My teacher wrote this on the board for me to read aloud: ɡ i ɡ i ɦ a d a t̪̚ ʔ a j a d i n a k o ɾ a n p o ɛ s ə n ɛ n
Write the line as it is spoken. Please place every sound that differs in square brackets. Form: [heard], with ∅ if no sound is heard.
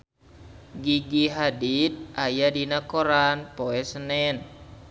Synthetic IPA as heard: ɡ i ɡ i ɦ a d [i] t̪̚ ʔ a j a d i n a k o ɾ a n p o ɛ s ə n ɛ n